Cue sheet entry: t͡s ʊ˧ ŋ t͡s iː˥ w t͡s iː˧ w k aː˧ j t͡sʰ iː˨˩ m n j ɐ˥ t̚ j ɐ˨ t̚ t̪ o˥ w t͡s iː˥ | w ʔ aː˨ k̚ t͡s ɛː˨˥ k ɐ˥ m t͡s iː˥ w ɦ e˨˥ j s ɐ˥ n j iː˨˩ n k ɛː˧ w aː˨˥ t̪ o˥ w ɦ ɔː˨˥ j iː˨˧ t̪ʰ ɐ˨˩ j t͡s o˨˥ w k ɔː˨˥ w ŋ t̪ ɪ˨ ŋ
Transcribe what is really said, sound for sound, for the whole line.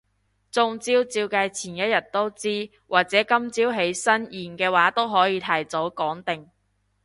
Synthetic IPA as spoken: t͡s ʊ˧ ŋ t͡s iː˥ w t͡s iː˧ w k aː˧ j t͡sʰ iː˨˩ n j ɐ˥ t̚ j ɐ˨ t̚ t̪ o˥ w t͡s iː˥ | w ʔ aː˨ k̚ t͡s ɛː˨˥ k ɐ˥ m t͡s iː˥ w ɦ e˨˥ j s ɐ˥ n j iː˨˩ n k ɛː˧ w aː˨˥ t̪ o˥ w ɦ ɔː˨˥ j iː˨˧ t̪ʰ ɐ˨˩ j t͡s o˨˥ w k ɔː˨˥ ŋ t̪ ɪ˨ ŋ